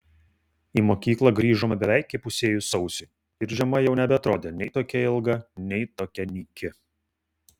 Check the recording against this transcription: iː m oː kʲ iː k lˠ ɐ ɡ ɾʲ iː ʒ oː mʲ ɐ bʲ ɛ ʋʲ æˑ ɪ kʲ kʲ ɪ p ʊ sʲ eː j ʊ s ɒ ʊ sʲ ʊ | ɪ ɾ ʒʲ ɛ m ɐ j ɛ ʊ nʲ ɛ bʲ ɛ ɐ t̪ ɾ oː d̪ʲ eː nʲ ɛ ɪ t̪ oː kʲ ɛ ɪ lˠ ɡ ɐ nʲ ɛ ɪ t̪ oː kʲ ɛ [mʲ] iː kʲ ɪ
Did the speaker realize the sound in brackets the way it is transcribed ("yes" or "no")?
no